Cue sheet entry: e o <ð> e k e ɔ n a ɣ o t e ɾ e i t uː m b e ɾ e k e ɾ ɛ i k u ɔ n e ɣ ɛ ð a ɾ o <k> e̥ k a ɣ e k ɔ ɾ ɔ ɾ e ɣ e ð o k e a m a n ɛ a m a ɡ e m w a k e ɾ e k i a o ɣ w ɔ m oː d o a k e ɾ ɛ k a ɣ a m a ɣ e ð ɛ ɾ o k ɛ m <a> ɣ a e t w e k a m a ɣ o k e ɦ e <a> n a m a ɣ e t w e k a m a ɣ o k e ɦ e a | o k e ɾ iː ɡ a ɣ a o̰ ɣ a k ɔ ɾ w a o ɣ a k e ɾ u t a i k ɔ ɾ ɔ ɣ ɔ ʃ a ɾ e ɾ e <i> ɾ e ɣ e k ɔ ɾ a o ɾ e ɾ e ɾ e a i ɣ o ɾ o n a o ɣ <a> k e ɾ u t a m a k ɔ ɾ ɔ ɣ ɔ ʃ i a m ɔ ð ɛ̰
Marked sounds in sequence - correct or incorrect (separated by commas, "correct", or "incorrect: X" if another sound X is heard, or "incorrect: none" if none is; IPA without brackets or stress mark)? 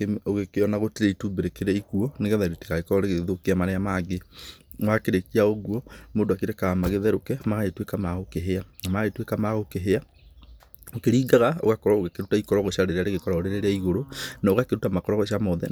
incorrect: ɣ, incorrect: t, correct, correct, incorrect: a, correct